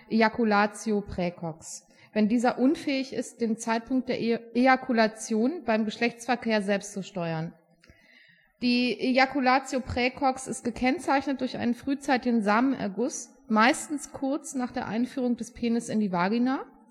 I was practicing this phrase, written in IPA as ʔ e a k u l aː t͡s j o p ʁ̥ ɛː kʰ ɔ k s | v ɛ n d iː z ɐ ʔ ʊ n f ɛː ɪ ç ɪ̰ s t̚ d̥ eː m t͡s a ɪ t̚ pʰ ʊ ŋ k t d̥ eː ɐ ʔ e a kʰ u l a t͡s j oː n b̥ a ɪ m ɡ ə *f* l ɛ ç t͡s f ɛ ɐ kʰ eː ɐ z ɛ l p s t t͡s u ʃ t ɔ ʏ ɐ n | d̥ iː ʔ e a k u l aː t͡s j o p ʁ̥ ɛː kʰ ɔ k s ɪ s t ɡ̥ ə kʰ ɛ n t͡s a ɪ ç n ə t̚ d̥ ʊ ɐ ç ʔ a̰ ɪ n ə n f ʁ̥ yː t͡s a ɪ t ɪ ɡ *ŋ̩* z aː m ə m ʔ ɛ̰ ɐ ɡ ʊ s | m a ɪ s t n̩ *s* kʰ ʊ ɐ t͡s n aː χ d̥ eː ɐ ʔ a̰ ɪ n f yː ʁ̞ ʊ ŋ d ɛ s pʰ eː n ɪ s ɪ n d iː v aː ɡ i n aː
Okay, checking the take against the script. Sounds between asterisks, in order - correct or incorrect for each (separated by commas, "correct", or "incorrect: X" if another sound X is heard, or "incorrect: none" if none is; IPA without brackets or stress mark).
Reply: incorrect: ʃ, incorrect: n̩, correct